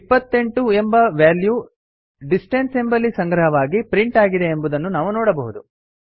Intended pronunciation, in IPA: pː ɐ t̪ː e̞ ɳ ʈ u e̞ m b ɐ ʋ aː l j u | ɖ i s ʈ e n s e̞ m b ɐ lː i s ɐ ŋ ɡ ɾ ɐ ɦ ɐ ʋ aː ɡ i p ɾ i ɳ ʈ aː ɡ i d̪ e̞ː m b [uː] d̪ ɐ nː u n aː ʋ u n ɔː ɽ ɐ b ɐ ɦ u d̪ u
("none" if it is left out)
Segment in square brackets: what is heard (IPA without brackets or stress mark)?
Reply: u